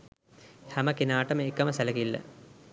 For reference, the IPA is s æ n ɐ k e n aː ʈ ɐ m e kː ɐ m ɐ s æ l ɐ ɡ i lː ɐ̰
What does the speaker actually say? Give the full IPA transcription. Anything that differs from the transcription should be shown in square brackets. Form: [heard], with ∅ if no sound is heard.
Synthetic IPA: [h] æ [m] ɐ k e n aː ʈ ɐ m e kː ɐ m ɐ s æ l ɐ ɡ i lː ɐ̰